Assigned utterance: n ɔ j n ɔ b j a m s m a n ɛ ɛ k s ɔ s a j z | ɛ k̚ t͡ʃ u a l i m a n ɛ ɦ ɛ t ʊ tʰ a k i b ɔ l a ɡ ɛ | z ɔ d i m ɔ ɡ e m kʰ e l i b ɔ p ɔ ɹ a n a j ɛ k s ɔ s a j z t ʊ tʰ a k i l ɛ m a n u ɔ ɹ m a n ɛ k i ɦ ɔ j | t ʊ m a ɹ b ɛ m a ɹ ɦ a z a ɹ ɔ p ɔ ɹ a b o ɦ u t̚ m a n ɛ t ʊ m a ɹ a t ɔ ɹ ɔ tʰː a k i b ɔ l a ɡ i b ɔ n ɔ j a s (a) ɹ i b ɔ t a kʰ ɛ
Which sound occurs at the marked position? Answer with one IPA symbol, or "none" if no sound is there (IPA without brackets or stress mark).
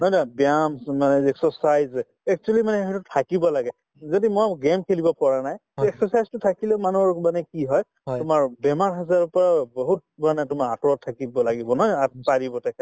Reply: a